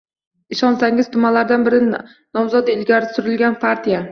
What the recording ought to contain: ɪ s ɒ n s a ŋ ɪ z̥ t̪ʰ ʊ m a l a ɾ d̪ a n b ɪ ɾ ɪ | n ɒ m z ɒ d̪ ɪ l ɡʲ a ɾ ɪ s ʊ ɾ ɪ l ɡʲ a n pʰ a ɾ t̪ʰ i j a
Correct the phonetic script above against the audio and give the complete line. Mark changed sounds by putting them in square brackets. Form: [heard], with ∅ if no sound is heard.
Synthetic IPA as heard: ɪ [ʃ] ɒ n s a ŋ ɪ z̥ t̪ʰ ʊ m a l a ɾ d̪ a n b ɪ ɾ ɪ | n ɒ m z ɒ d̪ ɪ l ɡʲ a ɾ ɪ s ʊ ɾ ɪ l ɡʲ a n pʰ a ɾ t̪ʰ i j a